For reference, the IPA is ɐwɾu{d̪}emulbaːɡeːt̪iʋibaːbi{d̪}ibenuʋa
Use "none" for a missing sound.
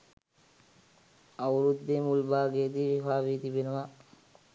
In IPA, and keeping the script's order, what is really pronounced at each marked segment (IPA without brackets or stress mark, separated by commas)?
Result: d̪ː, t̪